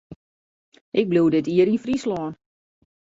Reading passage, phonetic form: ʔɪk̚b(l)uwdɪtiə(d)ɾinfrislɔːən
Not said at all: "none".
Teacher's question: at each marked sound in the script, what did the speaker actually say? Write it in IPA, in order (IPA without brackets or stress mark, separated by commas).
l, none